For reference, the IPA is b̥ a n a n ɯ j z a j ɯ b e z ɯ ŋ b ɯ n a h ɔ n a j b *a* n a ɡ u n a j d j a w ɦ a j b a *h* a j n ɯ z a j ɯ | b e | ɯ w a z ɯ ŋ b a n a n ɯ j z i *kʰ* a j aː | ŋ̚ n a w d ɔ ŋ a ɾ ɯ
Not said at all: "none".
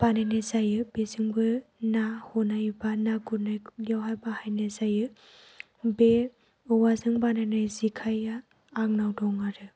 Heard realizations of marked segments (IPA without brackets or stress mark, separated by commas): a, h, kʰ